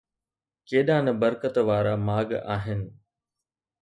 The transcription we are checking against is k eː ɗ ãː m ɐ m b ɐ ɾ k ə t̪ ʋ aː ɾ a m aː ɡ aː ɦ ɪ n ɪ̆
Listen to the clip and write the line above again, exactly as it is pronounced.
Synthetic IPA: k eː ɗ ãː n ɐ b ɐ ɾ k ə t̪ ʋ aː ɾ a m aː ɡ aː ɦ ɪ n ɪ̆